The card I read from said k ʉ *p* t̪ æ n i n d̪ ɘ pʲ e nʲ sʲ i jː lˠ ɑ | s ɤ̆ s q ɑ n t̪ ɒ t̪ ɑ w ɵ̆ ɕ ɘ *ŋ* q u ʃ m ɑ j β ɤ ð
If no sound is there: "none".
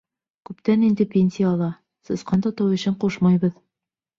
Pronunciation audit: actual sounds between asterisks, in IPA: p, ɴ

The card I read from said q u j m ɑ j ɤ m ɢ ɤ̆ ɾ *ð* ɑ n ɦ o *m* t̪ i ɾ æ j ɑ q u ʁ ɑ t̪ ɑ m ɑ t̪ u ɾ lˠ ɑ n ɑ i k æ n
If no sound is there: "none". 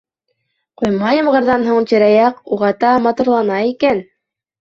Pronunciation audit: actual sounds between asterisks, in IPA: ð, ɴ

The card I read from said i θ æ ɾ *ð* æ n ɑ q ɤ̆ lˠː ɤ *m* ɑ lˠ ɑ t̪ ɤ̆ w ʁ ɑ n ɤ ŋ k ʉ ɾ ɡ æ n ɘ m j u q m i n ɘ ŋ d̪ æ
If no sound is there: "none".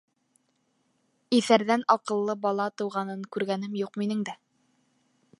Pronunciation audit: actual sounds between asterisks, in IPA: ð, b

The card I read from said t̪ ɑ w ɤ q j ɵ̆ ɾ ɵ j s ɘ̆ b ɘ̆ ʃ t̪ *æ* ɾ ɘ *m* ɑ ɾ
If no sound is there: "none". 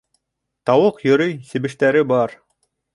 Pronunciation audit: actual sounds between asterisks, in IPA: æ, b

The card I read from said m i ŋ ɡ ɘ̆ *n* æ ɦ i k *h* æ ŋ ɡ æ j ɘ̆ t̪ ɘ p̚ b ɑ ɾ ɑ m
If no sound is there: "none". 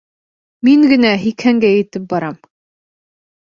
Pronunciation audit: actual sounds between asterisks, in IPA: n, h

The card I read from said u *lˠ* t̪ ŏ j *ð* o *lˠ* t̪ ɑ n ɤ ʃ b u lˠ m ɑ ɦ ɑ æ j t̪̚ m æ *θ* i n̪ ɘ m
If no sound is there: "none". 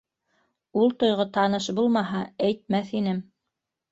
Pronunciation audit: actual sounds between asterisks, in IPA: lˠ, ʁ, none, θ

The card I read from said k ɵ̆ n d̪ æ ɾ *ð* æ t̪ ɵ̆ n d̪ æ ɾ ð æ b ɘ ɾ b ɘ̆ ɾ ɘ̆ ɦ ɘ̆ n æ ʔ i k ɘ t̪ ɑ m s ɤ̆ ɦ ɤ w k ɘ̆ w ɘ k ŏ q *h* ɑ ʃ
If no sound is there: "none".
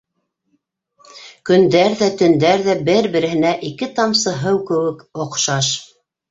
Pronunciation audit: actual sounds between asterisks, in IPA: ð, ʃ

